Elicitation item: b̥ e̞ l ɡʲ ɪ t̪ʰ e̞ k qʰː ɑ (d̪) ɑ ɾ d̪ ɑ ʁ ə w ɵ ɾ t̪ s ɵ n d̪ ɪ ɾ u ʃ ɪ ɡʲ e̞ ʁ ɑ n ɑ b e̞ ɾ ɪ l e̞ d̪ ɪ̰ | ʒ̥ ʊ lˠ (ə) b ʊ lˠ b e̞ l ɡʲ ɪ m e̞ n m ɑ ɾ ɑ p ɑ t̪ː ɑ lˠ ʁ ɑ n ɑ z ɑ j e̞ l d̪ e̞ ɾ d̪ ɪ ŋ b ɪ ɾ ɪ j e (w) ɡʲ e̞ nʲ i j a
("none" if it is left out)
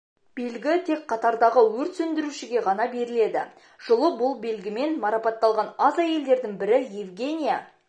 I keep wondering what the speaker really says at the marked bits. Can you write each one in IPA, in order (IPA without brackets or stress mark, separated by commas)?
t̪, ə, v